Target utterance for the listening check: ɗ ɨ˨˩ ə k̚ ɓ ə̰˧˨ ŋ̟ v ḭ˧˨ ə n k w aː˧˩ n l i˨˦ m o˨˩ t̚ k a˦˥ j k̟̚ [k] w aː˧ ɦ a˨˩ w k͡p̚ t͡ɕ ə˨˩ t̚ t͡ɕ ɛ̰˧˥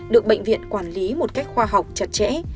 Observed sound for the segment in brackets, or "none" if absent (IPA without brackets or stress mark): x